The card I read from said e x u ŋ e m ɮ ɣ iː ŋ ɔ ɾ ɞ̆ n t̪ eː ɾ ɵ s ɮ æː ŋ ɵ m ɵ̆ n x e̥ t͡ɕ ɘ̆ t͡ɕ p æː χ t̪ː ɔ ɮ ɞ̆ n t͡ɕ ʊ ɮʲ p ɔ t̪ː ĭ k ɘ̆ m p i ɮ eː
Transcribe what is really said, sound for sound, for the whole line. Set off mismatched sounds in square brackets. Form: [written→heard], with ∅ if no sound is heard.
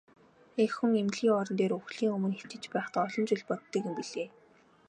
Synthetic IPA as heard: e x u ŋ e m ɮ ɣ iː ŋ ɔ ɾ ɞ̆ n t̪ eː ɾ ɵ [s→x] ɮ [æː→iː] ŋ ɵ m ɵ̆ n x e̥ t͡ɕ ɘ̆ t͡ɕ p æː χ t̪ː ɔ ɮ ɞ̆ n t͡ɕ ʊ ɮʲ p ɔ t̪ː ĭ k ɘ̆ m p i ɮ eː